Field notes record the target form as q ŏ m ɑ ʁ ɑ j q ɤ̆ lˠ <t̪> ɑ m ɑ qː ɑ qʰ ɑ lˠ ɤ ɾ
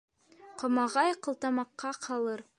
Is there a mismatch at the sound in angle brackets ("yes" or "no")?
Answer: no